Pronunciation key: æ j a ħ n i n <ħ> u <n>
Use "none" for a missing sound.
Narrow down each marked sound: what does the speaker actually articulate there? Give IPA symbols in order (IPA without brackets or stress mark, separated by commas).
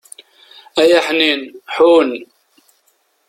ħ, n